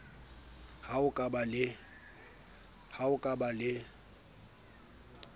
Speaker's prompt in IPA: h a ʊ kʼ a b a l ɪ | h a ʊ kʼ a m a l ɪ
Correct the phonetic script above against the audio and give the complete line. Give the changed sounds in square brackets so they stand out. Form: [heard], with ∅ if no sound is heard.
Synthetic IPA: h a ʊ kʼ a b a l ɪ | h a ʊ kʼ a [b] a l ɪ